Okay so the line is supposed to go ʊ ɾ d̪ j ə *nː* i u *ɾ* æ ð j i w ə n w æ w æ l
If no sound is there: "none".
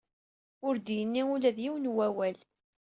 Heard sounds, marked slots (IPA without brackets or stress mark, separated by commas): nː, l